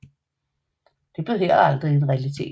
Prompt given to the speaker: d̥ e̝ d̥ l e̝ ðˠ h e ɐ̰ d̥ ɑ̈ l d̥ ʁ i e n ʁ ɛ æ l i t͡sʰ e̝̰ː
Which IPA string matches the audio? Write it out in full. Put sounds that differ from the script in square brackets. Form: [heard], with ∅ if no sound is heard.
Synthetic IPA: d̥ e̝ [b̥] l e̝ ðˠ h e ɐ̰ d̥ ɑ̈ l d̥ ʁ i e n ʁ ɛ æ l i t͡sʰ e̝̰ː